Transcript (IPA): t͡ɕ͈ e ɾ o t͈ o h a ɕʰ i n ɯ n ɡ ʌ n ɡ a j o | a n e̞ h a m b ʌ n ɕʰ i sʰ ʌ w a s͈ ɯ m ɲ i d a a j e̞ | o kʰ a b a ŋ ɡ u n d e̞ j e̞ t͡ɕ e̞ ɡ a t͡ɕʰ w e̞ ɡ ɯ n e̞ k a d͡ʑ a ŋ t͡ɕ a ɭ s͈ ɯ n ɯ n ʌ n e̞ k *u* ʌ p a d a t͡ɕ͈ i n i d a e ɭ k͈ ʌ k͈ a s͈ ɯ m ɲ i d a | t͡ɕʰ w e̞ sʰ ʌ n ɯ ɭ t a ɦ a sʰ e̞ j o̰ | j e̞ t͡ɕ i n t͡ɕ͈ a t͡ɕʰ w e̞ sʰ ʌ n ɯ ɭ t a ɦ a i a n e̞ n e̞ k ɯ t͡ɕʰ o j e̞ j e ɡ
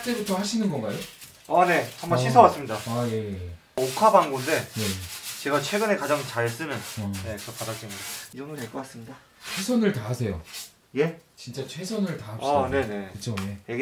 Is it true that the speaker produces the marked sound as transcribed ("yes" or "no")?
no